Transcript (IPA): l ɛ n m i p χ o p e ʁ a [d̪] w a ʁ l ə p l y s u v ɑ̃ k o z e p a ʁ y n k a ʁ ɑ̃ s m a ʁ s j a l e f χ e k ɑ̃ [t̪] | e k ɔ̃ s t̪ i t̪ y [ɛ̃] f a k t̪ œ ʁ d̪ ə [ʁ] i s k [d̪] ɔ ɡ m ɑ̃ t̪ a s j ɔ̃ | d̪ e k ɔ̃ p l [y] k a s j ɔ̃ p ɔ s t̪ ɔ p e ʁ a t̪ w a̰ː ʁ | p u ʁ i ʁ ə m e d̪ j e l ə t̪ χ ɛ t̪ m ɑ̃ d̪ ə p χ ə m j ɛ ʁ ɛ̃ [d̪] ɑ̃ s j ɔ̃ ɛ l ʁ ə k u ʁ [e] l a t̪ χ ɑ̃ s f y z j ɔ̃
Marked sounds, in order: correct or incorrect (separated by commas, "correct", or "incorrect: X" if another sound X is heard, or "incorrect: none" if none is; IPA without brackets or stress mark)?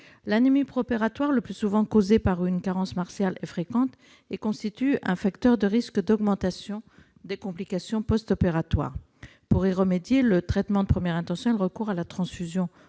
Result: incorrect: t̪, correct, correct, correct, correct, incorrect: i, incorrect: t̪, incorrect: a